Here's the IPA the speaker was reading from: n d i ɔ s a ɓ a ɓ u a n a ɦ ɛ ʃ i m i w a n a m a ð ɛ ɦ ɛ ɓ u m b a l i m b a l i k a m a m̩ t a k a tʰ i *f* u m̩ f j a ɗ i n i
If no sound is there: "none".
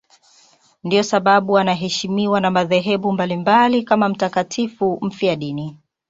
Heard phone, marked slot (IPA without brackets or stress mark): f